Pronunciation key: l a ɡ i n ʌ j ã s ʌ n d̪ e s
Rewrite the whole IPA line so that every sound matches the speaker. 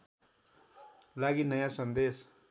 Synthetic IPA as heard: l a ɡ i n ʌ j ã s ʌ n d̪ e s